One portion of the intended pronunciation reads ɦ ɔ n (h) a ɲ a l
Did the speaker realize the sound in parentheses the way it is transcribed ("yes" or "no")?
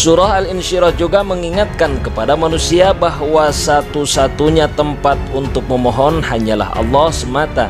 yes